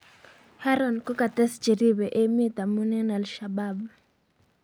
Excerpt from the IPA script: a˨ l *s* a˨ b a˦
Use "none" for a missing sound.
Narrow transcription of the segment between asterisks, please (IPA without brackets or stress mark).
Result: ʃ